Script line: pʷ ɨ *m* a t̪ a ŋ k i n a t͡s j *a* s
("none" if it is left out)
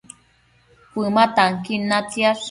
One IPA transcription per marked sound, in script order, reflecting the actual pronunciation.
m, a

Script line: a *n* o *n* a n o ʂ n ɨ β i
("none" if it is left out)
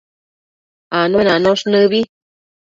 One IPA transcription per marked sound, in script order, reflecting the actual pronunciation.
n, n

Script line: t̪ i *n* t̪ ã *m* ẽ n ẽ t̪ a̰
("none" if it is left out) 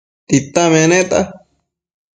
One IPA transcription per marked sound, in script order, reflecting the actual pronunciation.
none, m

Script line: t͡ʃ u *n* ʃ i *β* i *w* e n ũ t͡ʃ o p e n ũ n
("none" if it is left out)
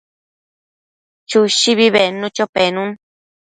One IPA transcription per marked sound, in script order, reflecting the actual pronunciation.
none, β, β

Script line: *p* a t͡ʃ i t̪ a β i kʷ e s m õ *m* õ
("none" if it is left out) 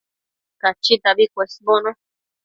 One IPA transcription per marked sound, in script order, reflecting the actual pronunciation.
k, n

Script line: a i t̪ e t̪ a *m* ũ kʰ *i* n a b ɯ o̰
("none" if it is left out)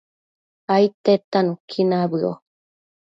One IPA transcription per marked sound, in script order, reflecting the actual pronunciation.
n, i

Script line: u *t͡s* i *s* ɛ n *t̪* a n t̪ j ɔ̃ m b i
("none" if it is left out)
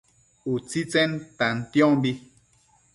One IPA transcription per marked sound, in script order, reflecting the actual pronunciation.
t͡s, t͡s, t̪

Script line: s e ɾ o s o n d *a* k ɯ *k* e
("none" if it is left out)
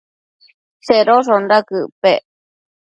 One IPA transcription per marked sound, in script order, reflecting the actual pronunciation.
a, p

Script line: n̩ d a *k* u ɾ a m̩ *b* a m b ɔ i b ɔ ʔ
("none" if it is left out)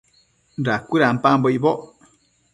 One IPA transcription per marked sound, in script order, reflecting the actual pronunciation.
k, p

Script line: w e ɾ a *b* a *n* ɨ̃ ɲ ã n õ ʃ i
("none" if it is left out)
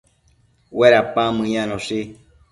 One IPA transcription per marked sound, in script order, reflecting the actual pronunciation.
p, m

